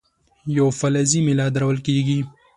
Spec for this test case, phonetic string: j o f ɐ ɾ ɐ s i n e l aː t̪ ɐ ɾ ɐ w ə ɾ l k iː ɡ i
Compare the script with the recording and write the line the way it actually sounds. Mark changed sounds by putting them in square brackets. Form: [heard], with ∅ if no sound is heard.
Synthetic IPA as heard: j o f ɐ [l] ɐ [z] i [m] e l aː [d̪] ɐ ɾ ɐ w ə [∅] l k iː ɡ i